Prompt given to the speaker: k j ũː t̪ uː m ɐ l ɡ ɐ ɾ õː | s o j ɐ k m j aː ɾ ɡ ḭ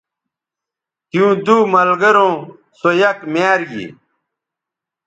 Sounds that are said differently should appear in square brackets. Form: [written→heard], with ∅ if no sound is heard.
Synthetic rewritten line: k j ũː [t̪→d̪] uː m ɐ l ɡ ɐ ɾ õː | s o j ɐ k m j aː ɾ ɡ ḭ